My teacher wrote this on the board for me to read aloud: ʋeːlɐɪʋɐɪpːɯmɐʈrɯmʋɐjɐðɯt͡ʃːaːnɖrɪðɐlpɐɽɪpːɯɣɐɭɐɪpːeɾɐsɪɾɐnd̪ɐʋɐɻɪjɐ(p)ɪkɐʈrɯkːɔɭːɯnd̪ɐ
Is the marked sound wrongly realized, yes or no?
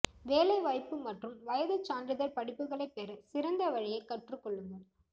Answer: yes